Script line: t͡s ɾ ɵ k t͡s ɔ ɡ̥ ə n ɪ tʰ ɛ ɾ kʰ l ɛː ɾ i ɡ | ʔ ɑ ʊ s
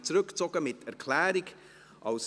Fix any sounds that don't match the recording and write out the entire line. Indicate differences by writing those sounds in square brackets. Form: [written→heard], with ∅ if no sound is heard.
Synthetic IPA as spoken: t͡s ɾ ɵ k t͡s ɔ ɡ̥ ə [n→m] ɪ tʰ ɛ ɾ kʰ l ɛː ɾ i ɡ | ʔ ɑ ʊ s